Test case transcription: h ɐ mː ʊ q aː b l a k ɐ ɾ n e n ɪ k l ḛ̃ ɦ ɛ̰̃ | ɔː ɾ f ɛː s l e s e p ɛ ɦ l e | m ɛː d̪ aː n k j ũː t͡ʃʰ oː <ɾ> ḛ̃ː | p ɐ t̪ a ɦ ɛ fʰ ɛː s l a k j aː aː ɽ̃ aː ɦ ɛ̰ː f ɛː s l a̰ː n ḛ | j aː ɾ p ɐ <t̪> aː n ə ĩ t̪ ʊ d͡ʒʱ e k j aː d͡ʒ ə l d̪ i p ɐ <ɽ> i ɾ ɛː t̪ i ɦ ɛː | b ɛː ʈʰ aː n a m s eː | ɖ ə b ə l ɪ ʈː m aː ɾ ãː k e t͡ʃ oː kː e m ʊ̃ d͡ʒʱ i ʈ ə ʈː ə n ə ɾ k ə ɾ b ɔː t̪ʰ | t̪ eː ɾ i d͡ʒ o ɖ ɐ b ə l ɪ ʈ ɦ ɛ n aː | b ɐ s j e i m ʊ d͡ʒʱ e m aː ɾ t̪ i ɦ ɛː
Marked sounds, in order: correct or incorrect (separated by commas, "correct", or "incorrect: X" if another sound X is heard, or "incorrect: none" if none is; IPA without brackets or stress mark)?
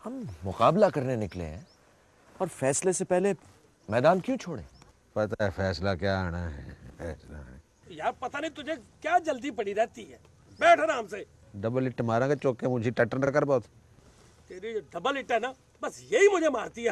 incorrect: ɽ, correct, correct